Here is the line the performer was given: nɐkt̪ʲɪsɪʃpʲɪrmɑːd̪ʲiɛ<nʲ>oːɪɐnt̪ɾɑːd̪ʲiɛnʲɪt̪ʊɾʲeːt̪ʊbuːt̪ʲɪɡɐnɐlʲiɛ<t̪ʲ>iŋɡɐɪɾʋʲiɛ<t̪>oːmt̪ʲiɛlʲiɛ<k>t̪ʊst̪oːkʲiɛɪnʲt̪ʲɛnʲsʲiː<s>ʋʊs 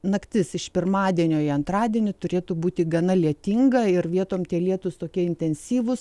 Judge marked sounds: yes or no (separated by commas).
yes, yes, yes, no, no